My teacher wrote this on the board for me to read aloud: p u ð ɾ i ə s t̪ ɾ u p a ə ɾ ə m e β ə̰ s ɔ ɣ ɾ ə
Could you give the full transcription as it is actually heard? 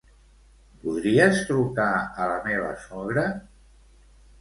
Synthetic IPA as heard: p u ð ɾ i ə s t̪ ɾ u k a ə l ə m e β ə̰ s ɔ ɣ ɾ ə